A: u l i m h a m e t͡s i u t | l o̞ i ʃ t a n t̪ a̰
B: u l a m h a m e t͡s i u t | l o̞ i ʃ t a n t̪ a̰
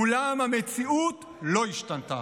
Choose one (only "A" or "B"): B